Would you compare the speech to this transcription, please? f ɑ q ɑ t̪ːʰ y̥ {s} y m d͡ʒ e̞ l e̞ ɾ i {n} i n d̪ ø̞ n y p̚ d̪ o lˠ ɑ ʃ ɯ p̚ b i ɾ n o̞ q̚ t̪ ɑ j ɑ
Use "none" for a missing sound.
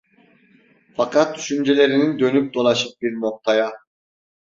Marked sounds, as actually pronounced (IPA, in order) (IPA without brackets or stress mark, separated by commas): ʃ, n